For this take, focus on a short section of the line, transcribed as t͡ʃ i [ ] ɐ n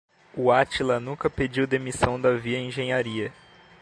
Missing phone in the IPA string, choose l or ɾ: l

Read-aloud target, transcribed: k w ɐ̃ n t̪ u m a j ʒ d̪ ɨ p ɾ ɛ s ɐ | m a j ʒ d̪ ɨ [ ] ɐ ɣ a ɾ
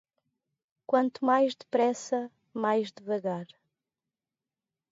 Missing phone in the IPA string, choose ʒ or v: v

